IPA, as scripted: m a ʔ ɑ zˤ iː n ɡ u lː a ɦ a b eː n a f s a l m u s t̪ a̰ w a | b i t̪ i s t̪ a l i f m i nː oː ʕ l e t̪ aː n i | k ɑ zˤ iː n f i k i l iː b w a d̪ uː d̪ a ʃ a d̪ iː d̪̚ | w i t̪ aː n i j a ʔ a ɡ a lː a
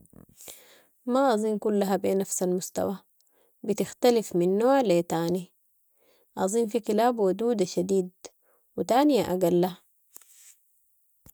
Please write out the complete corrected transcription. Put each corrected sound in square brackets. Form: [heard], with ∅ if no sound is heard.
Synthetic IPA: m a ʔ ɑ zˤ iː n [k] u lː a ɦ a b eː n a f s a l m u s t̪ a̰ w a | b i t̪ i [x] t̪ a l i f m i nː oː ʕ l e t̪ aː n i | [ʔ] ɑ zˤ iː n f i k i l [aː] b w a d̪ uː d̪ a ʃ a d̪ iː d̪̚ | w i t̪ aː n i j a ʔ a ɡ a lː a

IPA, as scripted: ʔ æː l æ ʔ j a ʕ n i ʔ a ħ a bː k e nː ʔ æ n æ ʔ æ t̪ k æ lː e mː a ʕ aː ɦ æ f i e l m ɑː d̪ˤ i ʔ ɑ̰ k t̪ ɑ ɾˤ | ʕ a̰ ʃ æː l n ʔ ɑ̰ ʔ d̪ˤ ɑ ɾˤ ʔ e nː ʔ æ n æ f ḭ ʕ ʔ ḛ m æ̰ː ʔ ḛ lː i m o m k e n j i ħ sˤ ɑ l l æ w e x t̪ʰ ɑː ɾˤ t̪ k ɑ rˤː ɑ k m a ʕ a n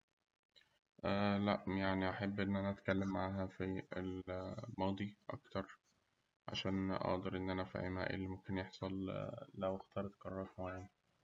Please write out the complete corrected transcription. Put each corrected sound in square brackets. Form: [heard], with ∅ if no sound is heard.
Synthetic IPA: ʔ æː l æ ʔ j a ʕ n i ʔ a ħ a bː [ʔ] e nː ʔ æ n æ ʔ æ t̪ k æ lː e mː a ʕ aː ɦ æ f i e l m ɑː d̪ˤ i ʔ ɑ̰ k t̪ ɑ ɾˤ | ʕ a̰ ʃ æː [∅] n ʔ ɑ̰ ʔ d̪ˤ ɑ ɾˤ ʔ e nː ʔ æ n æ f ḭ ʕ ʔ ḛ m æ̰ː ʔ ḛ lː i m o m k e n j [e] ħ sˤ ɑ l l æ w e x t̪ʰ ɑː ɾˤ t̪ k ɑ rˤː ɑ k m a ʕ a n

